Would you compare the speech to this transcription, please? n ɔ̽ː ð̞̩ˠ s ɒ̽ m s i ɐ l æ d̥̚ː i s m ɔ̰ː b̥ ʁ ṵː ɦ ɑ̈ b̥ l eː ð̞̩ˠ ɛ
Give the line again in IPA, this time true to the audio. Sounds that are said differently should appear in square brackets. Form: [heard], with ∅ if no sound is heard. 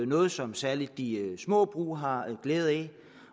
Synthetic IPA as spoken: n ɔ̽ː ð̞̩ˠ s ɒ̽ m s [æ] ɐ l [i] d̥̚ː i s m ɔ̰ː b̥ ʁ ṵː ɦ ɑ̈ [ɡ̥] l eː ð̞̩ˠ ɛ